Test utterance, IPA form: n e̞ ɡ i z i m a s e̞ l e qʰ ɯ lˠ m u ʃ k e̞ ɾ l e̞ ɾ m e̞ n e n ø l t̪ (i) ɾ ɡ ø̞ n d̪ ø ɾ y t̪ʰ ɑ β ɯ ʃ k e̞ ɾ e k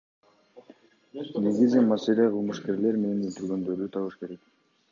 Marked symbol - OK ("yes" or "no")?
no